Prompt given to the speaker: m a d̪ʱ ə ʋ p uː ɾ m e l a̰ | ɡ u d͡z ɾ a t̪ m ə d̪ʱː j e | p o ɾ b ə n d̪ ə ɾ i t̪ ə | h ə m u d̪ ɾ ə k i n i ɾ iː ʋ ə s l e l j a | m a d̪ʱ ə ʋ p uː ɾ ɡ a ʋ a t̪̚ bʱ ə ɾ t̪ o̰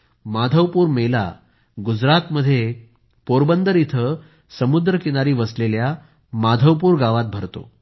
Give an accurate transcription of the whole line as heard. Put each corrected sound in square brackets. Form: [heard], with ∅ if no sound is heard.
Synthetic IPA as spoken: m a d̪ʱ ə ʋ p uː ɾ m e l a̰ | ɡ u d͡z ɾ a t̪ m ə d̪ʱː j e | p o ɾ b ə n d̪ ə ɾ i [t̪ʰ] ə | [s] ə m u d̪ ɾ ə k i n [a] ɾ iː ʋ ə s l e l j a | m a d̪ʱ ə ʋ p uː ɾ ɡ a ʋ a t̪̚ bʱ ə ɾ t̪ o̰